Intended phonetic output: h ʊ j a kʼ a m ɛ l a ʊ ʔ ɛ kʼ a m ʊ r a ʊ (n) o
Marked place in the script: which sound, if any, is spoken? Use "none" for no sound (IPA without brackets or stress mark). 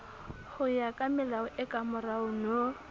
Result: n